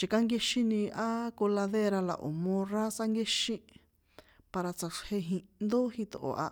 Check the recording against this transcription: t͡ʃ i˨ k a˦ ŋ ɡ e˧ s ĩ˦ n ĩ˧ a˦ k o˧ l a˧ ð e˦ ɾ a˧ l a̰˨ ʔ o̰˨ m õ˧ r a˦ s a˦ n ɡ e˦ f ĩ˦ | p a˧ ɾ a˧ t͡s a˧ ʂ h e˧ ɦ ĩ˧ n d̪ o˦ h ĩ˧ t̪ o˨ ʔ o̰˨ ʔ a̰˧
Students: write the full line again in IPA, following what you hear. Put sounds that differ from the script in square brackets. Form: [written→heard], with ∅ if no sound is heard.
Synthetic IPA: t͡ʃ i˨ k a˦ ŋ ɡ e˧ [s→ʃ] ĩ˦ n ĩ˧ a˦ k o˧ l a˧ ð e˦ ɾ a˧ l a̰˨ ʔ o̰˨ m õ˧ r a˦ s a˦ [n→ŋ] ɡ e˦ [f→ʃ] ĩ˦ | p a˧ ɾ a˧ t͡s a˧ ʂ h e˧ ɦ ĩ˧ n d̪ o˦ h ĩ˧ t̪ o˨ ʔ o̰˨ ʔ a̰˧